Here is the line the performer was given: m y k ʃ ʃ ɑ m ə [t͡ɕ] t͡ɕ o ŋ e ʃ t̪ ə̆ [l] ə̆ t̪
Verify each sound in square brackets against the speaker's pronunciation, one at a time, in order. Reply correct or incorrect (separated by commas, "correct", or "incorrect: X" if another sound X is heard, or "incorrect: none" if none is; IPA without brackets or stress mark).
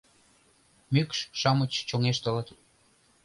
correct, correct